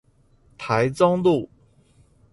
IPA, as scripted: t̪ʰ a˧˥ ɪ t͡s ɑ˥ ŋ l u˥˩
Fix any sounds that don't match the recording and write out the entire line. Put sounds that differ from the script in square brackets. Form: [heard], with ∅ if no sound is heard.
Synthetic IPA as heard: t̪ʰ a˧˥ ɪ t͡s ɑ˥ ŋ l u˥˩

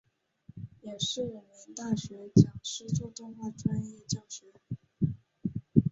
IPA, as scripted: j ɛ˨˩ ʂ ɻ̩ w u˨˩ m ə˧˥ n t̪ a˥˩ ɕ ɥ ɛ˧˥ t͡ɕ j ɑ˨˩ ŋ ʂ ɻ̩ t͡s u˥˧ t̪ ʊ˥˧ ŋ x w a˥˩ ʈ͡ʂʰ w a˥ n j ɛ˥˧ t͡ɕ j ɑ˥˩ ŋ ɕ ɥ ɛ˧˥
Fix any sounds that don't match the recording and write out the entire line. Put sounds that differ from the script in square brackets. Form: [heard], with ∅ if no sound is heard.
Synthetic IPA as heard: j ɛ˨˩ ʂ ɻ̩ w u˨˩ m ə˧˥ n t̪ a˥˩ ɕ ɥ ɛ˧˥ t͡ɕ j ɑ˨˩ ŋ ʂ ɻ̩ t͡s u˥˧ t̪ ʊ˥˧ ŋ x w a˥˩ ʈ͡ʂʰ w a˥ n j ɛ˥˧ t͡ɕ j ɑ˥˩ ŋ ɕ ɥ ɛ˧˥

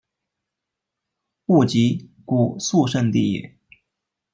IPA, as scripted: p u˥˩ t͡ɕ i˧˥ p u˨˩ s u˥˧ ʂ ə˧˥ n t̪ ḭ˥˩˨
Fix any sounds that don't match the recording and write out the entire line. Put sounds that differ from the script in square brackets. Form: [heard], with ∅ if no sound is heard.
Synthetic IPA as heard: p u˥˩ t͡ɕ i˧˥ [k] u˨˩ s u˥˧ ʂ [ə˥˧] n t̪ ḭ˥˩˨

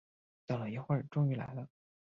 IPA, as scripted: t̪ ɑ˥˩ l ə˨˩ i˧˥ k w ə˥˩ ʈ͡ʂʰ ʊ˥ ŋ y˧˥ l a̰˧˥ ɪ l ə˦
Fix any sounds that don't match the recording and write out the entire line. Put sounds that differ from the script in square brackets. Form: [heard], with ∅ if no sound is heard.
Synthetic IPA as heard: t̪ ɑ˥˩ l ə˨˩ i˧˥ [x] w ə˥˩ [ʈ͡ʂ] ʊ˥ ŋ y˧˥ l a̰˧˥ ɪ l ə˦

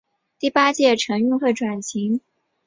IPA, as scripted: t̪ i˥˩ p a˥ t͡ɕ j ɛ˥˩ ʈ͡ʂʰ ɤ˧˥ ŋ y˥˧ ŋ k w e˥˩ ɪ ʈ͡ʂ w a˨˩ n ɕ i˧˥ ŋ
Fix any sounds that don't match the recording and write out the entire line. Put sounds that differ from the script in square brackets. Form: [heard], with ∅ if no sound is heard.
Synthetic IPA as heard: t̪ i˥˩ p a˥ t͡ɕ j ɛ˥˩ ʈ͡ʂʰ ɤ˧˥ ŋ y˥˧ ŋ [x] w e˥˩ ɪ ʈ͡ʂ w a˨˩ n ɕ i˧˥ ŋ

